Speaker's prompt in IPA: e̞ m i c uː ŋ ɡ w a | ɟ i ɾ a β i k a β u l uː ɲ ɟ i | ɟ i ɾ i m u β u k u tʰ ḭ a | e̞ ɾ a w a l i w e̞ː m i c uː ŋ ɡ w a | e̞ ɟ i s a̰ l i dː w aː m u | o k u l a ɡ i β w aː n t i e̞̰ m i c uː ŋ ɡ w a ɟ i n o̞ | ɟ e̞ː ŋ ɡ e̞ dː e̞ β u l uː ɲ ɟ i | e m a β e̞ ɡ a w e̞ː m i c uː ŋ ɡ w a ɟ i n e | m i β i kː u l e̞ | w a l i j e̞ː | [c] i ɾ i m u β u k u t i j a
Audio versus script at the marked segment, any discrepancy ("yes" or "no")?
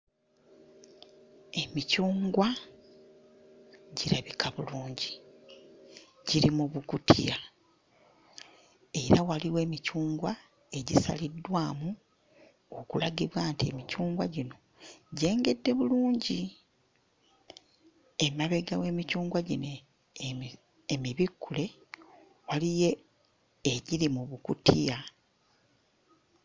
yes